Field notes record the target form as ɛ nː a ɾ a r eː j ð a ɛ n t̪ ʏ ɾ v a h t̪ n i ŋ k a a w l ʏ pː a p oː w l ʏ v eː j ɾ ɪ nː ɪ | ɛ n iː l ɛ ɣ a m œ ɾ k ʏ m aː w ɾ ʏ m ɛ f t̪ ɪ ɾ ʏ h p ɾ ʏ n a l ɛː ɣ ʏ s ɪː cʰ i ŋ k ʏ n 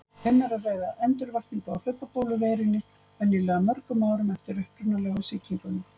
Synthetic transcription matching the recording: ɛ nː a ɾ a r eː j ð a ɛ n t̪ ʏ ɾ v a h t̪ n i ŋ k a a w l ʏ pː a p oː w l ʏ v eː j ɾ ɪ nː ɪ | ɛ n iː l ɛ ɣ a m œ ɾ k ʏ m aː w ɾ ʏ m ɛ f t̪ ɪ ɾ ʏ h p ɾ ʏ n a l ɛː ɣ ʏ s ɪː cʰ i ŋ k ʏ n